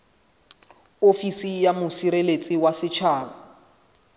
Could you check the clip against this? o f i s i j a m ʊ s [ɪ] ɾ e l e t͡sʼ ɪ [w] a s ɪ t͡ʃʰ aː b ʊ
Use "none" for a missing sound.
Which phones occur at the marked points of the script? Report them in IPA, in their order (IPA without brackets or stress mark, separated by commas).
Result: i, w